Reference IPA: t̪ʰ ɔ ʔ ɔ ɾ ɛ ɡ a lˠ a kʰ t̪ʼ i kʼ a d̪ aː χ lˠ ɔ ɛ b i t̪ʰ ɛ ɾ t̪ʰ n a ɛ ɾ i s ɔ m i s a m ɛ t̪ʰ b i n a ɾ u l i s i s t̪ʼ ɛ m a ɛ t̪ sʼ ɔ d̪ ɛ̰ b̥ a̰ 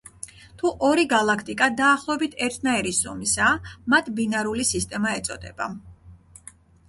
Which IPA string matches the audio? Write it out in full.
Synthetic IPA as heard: t̪ʰ u ʔ ɔ ɾ i ɡ a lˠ a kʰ t̪ʼ i kʼ a d̪ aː χ lˠ ɔ ɛ b i t̪ʰ ɛ ɾ t̪ʰ n a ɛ ɾ i s ɔ m i s a m a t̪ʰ b i n a ɾ u l i s i s t̪ʼ ɛ m a ɛ t̪ sʼ ɔ d̪ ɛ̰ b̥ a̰

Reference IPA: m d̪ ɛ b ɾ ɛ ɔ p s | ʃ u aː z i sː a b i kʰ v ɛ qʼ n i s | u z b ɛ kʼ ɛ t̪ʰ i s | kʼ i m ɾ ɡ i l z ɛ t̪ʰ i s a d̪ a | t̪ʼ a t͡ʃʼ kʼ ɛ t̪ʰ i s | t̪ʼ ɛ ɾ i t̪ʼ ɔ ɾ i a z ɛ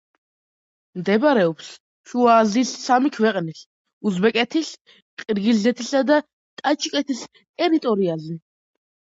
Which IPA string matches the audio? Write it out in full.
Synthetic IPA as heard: m d̪ ɛ b ɾ ɛ ɔ p s | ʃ u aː z i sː a m i kʰ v ɛ qʼ n i s | u z b ɛ kʼ ɛ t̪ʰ i s | qʼ i ɾ ɡ i l z ɛ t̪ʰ i s a d̪ a | t̪ʼ a t͡ʃʼ kʼ ɛ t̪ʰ i s | t̪ʼ ɛ ɾ i t̪ʼ ɔ ɾ i a z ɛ

